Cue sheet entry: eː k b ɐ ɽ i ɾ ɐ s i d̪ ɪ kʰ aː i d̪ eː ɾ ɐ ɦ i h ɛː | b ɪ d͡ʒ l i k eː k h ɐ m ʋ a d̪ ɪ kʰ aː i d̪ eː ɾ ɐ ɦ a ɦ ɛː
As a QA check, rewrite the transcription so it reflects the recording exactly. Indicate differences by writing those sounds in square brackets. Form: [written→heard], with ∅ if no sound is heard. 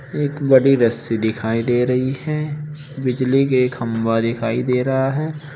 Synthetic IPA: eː k b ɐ ɽ i ɾ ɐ s i d̪ ɪ kʰ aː i d̪ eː ɾ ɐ ɦ i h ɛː | b ɪ d͡ʒ l i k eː k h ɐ m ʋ a d̪ ɪ kʰ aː i d̪ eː ɾ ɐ ɦ a ɦ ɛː